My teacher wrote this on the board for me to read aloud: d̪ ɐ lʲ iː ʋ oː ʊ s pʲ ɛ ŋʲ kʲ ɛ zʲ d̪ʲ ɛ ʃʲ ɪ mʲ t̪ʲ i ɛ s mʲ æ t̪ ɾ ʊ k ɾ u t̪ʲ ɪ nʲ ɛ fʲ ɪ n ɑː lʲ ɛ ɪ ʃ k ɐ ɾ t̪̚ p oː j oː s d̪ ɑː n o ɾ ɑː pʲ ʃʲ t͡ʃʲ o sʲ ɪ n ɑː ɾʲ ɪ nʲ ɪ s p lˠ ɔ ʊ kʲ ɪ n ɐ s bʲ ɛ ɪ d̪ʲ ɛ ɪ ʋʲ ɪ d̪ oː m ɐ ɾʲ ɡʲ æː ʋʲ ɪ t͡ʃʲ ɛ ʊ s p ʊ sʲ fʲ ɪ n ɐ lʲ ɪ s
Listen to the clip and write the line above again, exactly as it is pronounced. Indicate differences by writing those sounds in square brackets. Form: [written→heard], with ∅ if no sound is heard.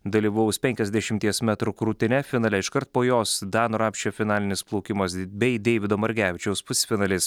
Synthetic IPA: d̪ ɐ lʲ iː ʋ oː ʊ s pʲ ɛ ŋʲ kʲ ɛ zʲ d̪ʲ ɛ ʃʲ ɪ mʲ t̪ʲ i ɛ s mʲ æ t̪ ɾ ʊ k ɾ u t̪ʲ ɪ nʲ ɛ fʲ ɪ n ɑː lʲ ɛ ɪ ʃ k ɐ ɾ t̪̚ p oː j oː s d̪ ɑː n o ɾ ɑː pʲ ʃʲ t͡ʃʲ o [sʲ→fʲ] ɪ n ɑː [ɾʲ→lʲ] ɪ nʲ ɪ s p lˠ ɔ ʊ kʲ ɪ [n→m] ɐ s bʲ ɛ ɪ d̪ʲ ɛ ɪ ʋʲ ɪ d̪ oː m ɐ ɾʲ ɡʲ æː ʋʲ ɪ t͡ʃʲ ɛ ʊ s p ʊ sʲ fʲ ɪ n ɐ lʲ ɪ s